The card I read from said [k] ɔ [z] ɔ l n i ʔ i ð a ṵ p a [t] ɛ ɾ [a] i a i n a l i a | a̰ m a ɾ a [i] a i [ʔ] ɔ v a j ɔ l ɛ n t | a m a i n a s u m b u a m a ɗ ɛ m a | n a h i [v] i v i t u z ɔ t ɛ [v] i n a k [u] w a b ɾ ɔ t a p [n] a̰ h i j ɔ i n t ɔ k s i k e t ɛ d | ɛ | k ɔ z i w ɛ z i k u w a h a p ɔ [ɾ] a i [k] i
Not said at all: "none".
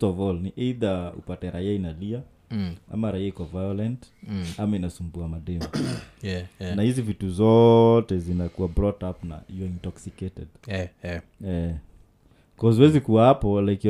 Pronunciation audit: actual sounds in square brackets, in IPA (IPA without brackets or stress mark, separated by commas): t, v, t, a, i, k, z, z, u, n, l, k